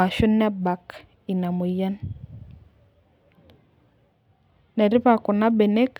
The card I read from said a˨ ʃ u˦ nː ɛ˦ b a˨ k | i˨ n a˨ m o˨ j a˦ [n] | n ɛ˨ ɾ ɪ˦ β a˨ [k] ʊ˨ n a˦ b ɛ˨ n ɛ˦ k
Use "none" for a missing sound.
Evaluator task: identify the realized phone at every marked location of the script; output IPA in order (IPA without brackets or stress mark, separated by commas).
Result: n, k